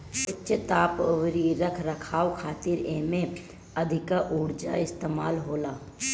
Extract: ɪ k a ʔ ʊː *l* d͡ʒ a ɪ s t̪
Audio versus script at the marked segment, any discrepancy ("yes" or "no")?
yes